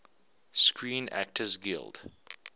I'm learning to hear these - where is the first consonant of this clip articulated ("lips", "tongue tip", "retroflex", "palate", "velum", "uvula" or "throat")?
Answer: tongue tip